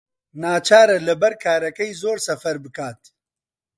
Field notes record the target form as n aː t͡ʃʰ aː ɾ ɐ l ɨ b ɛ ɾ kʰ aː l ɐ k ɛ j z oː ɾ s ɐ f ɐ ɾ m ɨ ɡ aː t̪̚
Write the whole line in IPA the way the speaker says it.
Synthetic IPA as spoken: n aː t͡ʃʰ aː ɾ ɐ l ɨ b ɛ ɾ kʰ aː ɾ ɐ k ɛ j z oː ɾ s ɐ f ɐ ɾ b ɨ k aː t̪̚